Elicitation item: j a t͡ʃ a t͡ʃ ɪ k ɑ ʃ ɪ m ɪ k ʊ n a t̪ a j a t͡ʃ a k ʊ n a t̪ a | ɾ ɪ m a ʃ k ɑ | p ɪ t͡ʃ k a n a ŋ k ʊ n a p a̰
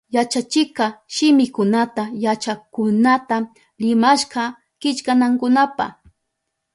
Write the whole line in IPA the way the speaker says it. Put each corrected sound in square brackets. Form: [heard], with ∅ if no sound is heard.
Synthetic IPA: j a t͡ʃ a t͡ʃ ɪ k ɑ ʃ ɪ m ɪ k ʊ n a t̪ a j a t͡ʃ a k ʊ n a t̪ a | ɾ ɪ m a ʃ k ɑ | [k] ɪ t͡ʃ k a n a ŋ k ʊ n a p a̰

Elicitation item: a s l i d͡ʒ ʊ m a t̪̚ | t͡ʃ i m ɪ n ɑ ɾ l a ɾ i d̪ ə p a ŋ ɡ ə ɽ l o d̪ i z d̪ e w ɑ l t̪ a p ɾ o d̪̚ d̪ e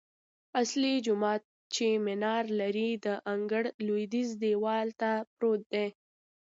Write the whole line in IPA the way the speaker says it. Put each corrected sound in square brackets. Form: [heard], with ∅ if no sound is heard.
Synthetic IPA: a s l i d͡ʒ ʊ m [ɑ] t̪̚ | t͡ʃ [e] m ɪ n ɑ ɾ l a ɾ i d̪ ə [ʔ] a ŋ ɡ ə ɽ l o d̪ i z d̪ e w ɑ l t̪ a p ɾ o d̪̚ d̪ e

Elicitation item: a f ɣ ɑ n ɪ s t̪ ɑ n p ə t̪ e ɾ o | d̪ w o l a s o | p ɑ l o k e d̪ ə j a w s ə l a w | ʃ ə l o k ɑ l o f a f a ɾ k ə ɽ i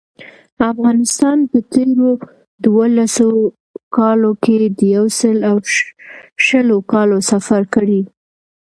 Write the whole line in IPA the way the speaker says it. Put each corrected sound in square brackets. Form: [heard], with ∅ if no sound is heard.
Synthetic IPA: a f ɣ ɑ n ɪ s t̪ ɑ n p ə t̪ e ɾ o | d̪ w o l a s o | [k] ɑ l o k e d̪ ə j a w s ə l a w | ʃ ə l o k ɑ l o [s] a f a ɾ k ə ɽ i

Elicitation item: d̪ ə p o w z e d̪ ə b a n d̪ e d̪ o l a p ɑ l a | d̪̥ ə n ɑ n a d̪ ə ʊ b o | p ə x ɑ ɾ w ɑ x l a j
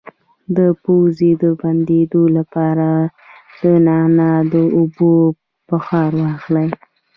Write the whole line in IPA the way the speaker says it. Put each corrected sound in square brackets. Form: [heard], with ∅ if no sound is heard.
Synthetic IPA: d̪ ə p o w z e d̪ ə b a n d̪ e d̪ o l a p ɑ [ɾ] a | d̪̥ ə n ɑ n a d̪ ə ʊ b o | p ə x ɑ ɾ w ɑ x l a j

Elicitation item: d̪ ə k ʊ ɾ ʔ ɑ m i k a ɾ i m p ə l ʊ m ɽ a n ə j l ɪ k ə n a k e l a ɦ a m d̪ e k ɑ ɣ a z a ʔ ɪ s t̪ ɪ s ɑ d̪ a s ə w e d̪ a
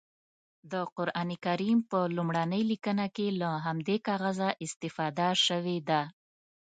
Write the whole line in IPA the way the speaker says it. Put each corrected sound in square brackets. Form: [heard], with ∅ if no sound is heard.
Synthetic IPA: d̪ ə [q] ʊ ɾ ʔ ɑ [n] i k a ɾ i m p ə l [u] m ɽ a n ə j l [i] k ə n a k e l a ɦ a m d̪ e k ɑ ɣ a z a ʔ ɪ s t̪ ɪ [f] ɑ d̪ a [ʃ] ə w e d̪ a

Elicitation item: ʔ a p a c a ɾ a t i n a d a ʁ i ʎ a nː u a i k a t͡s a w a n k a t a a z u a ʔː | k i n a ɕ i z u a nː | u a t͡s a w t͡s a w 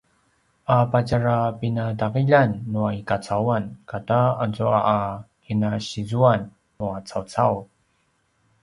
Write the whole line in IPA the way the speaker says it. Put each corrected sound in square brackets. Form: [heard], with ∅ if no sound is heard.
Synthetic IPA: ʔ a p a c a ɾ a [p] i n a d a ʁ i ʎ a nː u a i k a t͡s a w a n k a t a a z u a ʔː | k i n a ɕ i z u a nː | u a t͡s a w t͡s a w

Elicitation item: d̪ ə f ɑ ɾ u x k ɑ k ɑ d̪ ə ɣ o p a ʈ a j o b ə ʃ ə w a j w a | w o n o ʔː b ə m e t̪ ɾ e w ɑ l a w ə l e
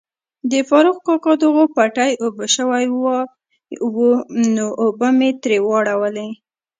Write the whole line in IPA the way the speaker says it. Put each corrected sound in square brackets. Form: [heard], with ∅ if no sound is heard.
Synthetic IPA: d̪ ə f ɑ ɾ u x k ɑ k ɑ d̪ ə ɣ o p a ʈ a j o b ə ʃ ə w a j w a | w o n o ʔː b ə m e t̪ ɾ e w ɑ [ɽ] a w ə l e

